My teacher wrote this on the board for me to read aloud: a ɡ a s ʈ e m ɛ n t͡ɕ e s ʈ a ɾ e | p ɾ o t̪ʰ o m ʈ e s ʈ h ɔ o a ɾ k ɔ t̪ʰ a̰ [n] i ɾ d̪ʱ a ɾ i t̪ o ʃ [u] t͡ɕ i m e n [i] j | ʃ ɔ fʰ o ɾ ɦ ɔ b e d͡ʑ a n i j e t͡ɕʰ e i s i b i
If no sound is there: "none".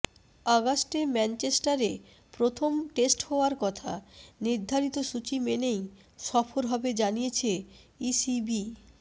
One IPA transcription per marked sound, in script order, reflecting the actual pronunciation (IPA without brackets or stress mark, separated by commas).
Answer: n, u, e